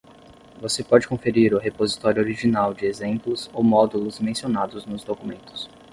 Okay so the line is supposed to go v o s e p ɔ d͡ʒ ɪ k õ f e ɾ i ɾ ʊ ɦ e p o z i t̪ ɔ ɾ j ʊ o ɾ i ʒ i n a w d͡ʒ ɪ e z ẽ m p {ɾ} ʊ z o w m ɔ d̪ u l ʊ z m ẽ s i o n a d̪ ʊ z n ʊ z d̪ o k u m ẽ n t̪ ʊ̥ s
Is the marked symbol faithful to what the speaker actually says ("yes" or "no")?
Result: no